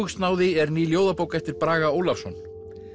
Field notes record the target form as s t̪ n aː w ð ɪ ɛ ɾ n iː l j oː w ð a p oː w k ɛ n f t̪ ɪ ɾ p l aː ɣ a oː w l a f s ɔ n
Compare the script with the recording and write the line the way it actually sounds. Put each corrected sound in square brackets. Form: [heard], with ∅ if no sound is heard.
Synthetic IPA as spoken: s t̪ n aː w ð ɪ ɛ ɾ n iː l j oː w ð a p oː w k ɛ [∅] f t̪ ɪ ɾ p [ɾ] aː ɣ a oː w l a f s ɔ n